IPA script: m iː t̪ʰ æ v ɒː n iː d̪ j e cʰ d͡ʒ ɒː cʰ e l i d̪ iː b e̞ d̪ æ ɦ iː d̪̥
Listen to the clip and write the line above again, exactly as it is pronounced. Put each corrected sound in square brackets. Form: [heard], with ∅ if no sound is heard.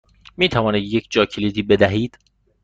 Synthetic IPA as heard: m iː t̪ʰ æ v ɒː n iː d̪ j e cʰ d͡ʒ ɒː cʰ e l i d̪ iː b e̞ d̪ æ ɦ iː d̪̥